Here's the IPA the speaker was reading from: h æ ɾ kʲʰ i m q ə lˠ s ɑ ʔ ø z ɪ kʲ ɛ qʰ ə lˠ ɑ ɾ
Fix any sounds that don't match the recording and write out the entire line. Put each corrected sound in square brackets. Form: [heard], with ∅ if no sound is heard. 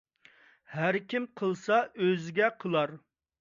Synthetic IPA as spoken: h æ ɾ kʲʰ i m [qʰ] ə lˠ s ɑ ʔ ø z ɪ [ɡʲ] ɛ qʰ ə lˠ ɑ ɾ